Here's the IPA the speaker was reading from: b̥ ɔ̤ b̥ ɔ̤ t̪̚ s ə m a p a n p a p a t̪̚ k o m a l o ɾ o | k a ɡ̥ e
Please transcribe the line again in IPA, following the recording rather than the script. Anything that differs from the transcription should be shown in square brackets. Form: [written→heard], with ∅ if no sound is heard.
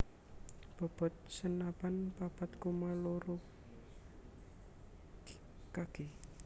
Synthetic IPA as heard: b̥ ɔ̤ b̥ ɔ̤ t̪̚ s ə [m→n] a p a n p a p a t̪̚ k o m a l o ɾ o | k a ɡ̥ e